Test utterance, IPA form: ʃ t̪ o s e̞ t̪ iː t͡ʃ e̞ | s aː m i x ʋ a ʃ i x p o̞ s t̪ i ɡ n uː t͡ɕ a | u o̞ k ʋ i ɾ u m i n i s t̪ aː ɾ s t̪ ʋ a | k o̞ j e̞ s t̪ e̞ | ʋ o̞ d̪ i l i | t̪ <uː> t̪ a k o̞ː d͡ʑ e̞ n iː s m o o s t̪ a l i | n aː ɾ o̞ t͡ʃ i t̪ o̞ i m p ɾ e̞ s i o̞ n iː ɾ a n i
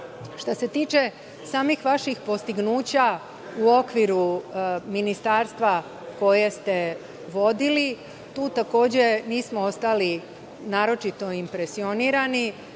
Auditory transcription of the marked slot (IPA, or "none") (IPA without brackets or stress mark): uː